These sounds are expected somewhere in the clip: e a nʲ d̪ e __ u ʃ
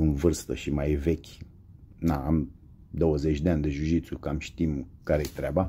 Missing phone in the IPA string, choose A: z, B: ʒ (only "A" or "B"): B